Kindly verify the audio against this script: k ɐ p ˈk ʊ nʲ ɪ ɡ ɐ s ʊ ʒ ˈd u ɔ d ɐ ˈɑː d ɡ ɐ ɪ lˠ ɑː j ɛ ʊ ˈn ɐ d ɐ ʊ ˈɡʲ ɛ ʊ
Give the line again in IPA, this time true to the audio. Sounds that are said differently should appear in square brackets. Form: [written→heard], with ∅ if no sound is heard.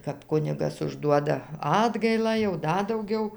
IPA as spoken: k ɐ p ˈk ʊ nʲ ɪ ɡ ɐ s ʊ ʒ ˈd u ɔ d ɐ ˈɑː d ɡ ɐ ɪ lˠ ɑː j ɛ ʊ [ˈn→ˈd] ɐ d ɐ ʊ ˈɡʲ ɛ ʊ